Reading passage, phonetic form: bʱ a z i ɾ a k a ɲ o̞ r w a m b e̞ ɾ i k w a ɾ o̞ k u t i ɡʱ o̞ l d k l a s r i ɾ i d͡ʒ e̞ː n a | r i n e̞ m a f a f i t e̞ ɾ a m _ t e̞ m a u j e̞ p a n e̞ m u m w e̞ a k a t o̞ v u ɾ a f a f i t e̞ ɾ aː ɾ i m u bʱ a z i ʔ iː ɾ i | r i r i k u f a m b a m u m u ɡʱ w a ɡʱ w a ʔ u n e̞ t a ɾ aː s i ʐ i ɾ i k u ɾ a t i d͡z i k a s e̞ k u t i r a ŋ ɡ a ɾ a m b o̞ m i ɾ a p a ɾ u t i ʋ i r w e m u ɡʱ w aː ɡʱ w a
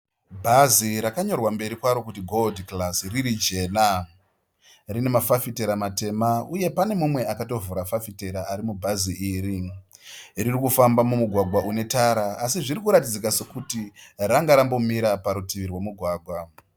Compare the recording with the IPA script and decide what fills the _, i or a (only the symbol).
a